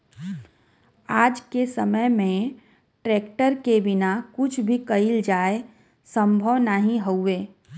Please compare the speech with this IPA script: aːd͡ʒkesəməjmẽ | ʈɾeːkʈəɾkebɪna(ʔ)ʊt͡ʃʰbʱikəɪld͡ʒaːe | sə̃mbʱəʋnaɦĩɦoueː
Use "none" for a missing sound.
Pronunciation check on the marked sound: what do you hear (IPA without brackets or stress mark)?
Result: k